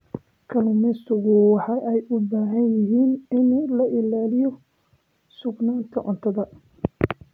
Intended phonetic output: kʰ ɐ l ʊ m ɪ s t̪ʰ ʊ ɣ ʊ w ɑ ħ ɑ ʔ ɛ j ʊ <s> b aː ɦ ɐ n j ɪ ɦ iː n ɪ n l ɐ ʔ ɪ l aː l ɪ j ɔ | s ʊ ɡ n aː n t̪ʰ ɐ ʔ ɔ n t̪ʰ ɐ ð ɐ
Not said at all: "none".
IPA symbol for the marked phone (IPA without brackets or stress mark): none